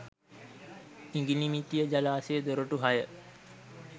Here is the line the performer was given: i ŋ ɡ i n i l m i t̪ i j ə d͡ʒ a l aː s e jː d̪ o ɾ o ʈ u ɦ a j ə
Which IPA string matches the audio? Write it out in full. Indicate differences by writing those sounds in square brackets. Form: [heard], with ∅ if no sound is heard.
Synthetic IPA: i ŋ ɡ i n i [∅] m i t̪ i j ə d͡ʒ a l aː s e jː d̪ o ɾ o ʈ u ɦ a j ə